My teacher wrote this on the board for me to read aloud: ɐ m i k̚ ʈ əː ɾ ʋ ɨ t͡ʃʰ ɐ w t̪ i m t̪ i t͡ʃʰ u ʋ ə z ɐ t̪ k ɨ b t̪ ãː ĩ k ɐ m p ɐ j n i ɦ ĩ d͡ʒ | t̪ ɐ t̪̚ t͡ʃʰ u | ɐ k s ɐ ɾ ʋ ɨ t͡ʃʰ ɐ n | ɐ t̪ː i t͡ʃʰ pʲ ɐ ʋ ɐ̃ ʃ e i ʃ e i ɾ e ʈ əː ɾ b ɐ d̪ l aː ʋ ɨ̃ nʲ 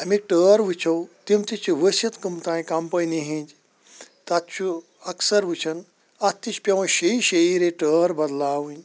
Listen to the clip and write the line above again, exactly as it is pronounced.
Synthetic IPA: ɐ m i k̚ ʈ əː ɾ ʋ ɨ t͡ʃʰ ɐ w t̪ i m t̪ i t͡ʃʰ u ʋ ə s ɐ t̪ k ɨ m t̪ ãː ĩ k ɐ m p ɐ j n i ɦ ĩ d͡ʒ | t̪ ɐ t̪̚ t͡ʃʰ u | ɐ k s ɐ ɾ ʋ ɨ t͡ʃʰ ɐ n | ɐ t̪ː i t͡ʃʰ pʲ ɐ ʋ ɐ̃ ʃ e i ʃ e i ɾ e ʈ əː ɾ b ɐ d̪ l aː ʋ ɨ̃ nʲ